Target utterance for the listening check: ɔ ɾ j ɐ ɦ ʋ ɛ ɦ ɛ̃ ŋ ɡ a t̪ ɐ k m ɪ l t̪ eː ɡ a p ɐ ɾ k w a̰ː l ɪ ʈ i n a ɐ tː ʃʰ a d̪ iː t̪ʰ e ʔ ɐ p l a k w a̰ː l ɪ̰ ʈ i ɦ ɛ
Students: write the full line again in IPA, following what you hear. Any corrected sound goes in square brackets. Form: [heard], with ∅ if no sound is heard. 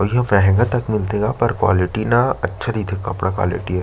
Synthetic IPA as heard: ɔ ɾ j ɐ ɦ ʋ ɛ ɦ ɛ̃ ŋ ɡ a t̪ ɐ k m ɪ l t̪ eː ɡ a p ɐ ɾ k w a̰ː l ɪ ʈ i n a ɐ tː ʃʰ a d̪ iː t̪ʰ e [k] ɐ p [ɽ] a k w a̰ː l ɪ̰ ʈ i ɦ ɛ